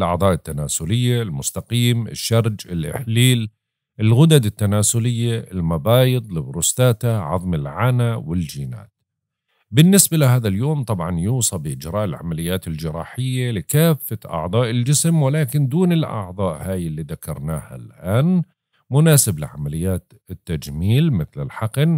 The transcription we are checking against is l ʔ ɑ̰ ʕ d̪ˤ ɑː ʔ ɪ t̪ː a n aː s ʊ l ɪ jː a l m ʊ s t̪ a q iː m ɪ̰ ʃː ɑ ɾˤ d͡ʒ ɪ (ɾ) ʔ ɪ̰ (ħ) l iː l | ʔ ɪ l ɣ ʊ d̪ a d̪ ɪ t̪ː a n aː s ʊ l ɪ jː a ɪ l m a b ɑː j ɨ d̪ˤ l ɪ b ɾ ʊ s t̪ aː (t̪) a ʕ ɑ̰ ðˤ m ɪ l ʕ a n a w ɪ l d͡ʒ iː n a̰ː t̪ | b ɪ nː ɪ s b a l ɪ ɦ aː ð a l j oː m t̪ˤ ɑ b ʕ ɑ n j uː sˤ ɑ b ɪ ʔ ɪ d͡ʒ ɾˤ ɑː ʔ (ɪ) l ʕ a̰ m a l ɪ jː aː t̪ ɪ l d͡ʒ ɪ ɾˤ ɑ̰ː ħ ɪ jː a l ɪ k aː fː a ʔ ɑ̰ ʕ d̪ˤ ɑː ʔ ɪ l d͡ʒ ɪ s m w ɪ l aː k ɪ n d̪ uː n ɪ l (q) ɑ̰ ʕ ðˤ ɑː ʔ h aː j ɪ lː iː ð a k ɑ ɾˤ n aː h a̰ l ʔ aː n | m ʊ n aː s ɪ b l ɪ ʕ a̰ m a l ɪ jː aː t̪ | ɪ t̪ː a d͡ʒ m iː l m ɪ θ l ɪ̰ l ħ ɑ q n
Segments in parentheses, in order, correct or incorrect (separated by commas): incorrect, correct, correct, correct, incorrect